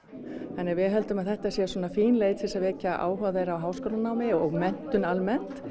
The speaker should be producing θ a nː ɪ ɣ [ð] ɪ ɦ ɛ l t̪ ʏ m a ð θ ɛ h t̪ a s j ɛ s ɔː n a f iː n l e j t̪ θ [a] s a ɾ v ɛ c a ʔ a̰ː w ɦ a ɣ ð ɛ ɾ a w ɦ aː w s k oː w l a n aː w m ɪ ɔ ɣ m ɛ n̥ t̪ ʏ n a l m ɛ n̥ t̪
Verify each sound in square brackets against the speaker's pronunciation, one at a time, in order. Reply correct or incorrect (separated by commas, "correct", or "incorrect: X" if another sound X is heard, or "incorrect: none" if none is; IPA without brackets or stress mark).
incorrect: v, incorrect: ɛ